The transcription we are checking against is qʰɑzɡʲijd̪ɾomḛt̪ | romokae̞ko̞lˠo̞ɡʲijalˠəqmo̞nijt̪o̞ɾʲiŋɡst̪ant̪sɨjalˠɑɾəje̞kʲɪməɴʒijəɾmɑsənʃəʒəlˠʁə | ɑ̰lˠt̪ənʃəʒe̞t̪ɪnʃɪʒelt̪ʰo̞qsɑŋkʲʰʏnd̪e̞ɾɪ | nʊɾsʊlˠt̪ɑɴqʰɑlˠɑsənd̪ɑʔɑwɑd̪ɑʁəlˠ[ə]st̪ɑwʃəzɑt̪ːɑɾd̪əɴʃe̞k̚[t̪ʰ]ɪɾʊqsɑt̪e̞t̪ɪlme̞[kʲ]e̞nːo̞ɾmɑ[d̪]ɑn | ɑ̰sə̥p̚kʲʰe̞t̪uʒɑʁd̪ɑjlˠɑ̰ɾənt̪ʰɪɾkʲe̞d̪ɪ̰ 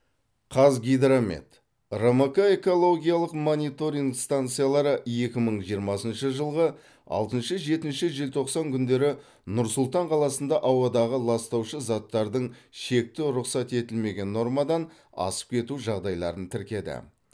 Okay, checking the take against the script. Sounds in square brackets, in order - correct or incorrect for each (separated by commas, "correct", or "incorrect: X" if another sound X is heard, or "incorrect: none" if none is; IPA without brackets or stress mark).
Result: incorrect: ɑ, incorrect: t̪, incorrect: ɡʲ, correct